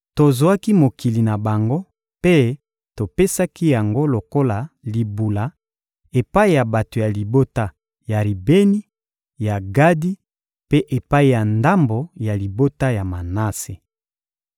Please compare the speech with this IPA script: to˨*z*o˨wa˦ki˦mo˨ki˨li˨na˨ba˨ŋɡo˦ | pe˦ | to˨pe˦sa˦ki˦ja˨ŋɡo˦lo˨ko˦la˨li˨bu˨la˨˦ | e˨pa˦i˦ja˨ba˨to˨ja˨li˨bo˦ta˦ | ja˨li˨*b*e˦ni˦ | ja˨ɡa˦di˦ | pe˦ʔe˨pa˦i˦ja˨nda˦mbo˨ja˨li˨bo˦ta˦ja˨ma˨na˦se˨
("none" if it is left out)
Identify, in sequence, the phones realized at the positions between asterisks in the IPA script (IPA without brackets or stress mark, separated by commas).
z, b